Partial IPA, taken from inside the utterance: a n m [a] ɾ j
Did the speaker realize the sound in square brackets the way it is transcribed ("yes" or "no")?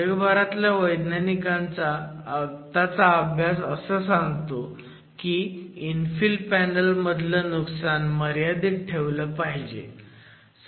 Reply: no